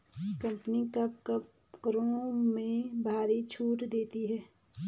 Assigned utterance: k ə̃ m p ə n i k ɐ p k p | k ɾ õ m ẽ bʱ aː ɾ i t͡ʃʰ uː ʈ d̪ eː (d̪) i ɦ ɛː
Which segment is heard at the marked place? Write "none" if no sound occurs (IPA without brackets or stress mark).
t̪